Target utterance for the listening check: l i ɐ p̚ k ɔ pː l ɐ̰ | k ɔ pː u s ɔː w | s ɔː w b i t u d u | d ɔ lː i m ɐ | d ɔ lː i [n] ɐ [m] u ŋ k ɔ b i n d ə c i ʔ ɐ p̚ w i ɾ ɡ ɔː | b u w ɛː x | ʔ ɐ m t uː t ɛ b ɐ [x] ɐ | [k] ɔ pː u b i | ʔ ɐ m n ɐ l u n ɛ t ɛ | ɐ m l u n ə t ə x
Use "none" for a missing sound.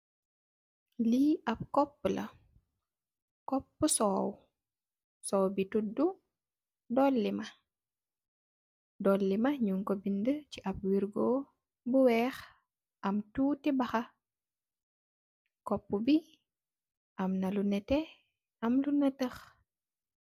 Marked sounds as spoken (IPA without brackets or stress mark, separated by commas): m, ɲ, x, k